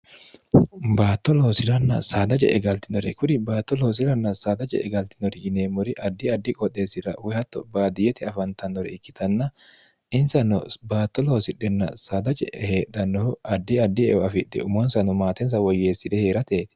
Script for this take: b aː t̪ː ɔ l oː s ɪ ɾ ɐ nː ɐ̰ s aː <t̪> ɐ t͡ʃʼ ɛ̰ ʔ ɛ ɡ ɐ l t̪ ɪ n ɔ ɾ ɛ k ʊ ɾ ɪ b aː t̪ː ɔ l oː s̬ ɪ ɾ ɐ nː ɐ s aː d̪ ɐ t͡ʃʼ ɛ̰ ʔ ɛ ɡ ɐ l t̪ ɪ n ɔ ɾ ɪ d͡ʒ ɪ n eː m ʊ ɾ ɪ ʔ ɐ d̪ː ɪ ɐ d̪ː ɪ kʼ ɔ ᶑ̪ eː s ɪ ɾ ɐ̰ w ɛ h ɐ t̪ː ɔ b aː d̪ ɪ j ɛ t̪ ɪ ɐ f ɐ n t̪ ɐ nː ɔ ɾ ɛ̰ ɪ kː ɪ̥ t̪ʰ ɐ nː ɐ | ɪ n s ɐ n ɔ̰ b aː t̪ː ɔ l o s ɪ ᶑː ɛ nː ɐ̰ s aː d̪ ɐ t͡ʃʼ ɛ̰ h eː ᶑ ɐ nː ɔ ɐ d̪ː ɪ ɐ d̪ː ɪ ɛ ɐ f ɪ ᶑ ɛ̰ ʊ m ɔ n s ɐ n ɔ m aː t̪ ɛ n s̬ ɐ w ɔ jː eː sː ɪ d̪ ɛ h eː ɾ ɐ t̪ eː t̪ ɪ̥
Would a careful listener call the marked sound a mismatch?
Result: yes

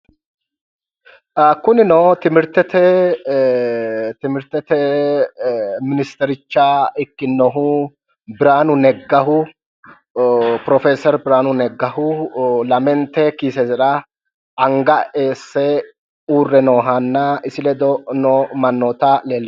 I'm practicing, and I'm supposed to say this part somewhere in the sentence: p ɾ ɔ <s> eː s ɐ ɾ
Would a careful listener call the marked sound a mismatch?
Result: yes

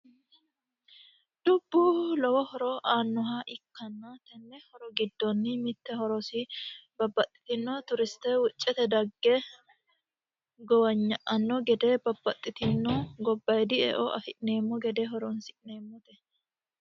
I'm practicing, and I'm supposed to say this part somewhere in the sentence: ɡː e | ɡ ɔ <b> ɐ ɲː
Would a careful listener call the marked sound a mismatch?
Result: yes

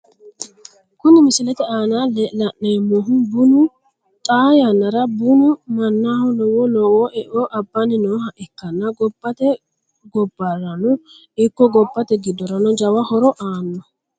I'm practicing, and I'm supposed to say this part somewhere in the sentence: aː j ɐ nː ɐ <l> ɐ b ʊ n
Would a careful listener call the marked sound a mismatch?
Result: yes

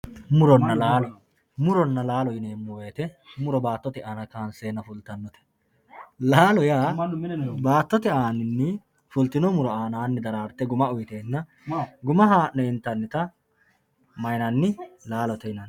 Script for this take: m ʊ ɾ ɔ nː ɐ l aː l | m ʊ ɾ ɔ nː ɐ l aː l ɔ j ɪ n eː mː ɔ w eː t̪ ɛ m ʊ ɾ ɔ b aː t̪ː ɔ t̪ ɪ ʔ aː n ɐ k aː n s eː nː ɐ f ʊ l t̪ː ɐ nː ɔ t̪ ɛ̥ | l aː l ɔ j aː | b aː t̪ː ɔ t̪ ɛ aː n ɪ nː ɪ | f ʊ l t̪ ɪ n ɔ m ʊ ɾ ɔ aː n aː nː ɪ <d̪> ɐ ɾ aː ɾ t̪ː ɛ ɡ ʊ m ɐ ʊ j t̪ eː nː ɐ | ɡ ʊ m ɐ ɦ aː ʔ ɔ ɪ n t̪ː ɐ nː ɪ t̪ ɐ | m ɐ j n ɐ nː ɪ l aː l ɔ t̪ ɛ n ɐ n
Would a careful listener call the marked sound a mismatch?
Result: no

